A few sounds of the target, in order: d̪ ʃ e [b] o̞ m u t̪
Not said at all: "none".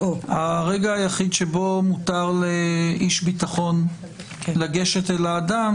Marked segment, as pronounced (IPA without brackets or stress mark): b